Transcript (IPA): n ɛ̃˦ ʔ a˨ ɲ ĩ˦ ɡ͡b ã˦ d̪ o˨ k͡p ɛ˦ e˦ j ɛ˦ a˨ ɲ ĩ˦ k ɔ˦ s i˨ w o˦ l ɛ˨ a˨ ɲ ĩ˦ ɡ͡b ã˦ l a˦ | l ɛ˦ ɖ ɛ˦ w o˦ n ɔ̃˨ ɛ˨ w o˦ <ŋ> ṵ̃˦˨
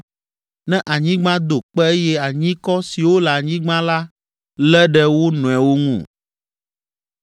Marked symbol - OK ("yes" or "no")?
yes